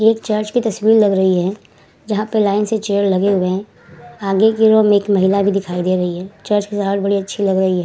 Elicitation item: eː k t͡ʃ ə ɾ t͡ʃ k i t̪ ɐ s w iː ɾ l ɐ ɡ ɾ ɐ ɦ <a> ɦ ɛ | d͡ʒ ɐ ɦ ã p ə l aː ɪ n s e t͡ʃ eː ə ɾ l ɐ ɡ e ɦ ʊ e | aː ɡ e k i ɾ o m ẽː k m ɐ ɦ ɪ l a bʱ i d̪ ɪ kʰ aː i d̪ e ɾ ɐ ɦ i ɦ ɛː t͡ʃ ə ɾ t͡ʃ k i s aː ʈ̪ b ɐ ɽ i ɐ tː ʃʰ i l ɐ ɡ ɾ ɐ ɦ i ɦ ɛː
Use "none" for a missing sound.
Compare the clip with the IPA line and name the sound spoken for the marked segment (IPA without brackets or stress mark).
i